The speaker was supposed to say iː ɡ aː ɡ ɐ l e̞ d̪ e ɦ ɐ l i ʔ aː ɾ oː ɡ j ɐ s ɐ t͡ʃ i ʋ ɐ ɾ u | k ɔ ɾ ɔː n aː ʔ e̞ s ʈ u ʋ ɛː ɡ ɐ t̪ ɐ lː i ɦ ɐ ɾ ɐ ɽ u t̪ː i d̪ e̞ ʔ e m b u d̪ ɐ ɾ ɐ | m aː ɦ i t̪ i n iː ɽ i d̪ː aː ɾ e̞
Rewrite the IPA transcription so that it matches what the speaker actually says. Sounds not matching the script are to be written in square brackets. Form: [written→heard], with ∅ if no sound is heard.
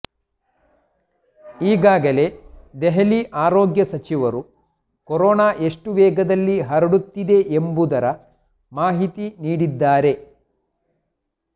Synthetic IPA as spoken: iː ɡ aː ɡ ɐ l e̞ d̪ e ɦ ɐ l i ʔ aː ɾ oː ɡ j ɐ s ɐ t͡ʃ i ʋ ɐ ɾ u | k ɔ ɾ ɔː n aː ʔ e̞ [s→ʂ] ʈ u ʋ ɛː ɡ ɐ [t̪→d̪] ɐ lː i ɦ ɐ ɾ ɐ ɽ u t̪ː i d̪ e̞ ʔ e m b u d̪ ɐ ɾ ɐ | m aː ɦ i t̪ i n iː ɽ i d̪ː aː ɾ e̞